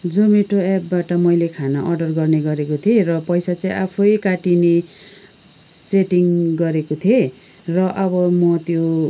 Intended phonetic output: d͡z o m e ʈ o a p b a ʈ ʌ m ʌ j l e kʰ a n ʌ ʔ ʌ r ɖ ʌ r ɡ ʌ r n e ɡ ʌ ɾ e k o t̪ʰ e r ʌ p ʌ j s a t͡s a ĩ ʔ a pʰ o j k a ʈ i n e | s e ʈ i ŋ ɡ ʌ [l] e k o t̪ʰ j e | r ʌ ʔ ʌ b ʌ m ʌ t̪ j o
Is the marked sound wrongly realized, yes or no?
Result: yes